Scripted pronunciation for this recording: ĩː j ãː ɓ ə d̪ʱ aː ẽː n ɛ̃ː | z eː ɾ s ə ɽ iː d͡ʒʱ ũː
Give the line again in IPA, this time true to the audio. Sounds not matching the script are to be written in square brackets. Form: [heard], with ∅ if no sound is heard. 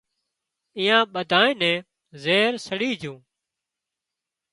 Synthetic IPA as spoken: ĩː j ãː ɓ ə d̪ʱ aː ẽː n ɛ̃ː | z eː ɾ s ə ɽ iː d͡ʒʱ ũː